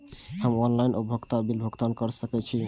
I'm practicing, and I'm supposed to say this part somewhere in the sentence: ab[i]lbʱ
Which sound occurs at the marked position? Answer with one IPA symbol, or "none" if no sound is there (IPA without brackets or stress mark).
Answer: i